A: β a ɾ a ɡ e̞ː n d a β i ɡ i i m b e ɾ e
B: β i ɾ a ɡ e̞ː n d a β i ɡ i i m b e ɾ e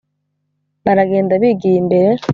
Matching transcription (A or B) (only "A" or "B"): A